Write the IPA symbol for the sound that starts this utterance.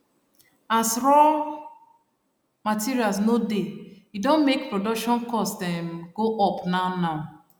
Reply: a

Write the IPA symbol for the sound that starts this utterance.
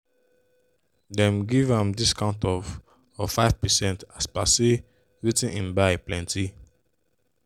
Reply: d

